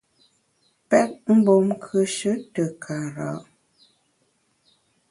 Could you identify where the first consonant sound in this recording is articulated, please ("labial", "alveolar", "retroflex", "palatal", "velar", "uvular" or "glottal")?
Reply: labial